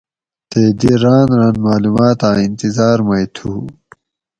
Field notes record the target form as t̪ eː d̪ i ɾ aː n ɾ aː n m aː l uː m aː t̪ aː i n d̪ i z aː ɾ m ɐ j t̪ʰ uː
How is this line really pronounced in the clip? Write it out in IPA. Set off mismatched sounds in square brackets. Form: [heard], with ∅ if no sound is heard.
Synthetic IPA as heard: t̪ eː d̪ i ɾ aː n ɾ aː n m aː l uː m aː t̪ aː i n [t̪] i z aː ɾ m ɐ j t̪ʰ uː